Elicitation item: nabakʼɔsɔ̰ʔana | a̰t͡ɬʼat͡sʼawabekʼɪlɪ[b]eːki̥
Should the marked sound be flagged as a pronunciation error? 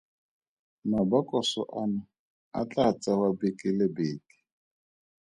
no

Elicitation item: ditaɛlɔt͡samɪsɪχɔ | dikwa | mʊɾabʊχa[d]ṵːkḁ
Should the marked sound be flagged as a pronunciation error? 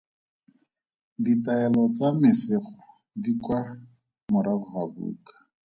yes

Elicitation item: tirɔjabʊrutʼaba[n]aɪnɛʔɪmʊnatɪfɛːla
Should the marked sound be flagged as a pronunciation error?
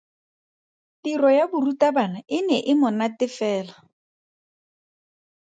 no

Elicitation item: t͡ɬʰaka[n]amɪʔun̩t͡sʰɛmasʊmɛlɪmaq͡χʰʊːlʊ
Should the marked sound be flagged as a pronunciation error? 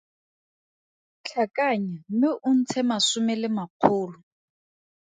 yes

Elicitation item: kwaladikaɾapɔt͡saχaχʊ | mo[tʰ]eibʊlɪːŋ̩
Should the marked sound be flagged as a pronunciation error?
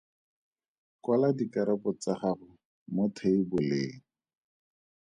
no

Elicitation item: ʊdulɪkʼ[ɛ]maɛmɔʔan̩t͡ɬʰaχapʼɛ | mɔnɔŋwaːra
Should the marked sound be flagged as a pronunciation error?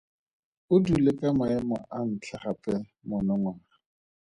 yes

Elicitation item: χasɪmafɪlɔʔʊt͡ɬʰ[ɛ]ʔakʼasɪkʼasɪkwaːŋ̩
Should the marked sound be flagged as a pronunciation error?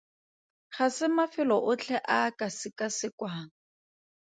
no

